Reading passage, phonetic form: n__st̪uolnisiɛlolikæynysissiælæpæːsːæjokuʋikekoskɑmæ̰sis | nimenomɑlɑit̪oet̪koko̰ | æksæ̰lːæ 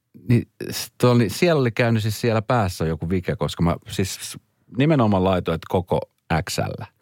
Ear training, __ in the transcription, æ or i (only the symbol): i